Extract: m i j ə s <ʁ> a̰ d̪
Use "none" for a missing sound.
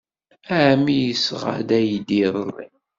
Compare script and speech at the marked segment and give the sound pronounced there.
ʁ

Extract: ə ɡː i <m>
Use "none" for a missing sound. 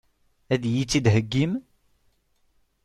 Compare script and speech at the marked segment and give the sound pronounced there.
m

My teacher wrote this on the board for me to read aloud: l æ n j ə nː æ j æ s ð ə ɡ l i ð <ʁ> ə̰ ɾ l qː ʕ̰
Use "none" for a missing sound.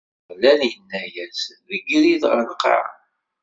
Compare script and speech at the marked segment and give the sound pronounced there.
ʁ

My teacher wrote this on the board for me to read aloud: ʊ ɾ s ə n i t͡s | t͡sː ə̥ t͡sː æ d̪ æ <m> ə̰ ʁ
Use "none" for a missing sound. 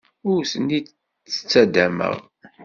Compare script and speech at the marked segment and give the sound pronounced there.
m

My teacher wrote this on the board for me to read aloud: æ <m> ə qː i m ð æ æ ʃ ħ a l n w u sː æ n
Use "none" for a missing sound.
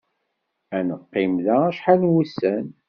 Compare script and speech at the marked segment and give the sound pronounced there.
n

